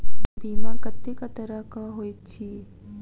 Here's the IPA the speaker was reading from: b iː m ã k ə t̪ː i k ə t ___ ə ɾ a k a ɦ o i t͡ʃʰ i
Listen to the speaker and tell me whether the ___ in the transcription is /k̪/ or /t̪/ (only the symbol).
k̪